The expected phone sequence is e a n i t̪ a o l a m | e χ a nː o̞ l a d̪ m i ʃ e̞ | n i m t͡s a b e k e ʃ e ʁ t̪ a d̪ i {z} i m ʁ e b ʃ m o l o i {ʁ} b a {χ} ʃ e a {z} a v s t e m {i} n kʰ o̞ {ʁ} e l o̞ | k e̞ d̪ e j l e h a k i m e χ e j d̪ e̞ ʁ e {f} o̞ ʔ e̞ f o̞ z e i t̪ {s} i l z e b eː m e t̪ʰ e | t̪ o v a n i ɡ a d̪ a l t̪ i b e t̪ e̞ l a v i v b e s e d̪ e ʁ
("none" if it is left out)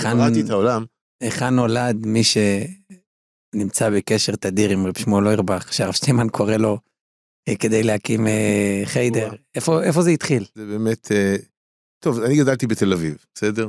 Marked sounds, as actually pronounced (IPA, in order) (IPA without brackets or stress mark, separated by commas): ʁ, ʁ, χ, ʁ, a, ʁ, f, χ